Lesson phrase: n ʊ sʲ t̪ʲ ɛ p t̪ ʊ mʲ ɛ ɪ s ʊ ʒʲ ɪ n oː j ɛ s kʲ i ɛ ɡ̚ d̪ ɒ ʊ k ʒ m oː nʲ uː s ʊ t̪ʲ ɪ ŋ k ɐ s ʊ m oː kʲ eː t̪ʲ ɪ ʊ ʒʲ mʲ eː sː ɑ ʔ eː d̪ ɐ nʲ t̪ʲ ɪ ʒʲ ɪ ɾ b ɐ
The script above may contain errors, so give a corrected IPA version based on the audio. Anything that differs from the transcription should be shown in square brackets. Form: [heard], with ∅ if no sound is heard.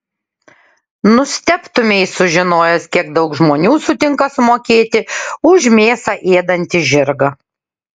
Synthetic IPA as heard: n ʊ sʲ t̪ʲ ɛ p t̪ ʊ mʲ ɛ ɪ s ʊ ʒʲ ɪ n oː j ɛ s kʲ i ɛ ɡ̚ d̪ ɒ ʊ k ʒ m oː nʲ uː s ʊ t̪ʲ ɪ ŋ k ɐ s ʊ m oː kʲ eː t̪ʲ ɪ ʊ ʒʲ mʲ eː [s] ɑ ʔ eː d̪ ɐ nʲ t̪ʲ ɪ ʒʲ ɪ ɾ [ɡ] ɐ